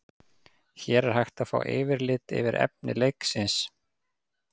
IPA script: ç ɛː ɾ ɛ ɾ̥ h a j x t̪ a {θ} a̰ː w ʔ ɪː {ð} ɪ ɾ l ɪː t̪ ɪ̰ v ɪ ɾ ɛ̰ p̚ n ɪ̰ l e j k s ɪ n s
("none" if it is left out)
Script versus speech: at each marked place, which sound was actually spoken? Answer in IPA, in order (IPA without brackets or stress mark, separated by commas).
f, v